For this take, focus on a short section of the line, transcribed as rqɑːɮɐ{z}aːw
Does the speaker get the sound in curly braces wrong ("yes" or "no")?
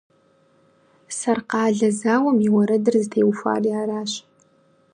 no